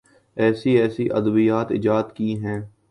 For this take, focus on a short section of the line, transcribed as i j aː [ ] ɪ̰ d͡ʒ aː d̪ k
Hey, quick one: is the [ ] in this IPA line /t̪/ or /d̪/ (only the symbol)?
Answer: t̪